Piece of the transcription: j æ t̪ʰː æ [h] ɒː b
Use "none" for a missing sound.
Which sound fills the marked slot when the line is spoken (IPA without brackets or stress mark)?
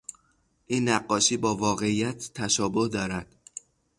ʃ